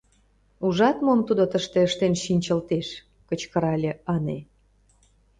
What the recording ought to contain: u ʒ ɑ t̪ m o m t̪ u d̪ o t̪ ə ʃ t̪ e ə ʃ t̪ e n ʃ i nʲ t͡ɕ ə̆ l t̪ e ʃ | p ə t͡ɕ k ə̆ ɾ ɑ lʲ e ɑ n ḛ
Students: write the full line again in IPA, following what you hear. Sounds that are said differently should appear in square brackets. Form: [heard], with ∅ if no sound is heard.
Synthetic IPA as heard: u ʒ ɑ t̪ m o m t̪ u d̪ o t̪ ə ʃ t̪ e ə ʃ t̪ e n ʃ i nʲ t͡ɕ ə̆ l t̪ e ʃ | [k] ə t͡ɕ k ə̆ ɾ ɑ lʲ e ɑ n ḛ